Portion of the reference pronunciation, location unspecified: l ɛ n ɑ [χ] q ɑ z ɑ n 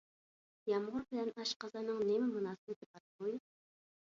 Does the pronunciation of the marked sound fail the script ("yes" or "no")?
yes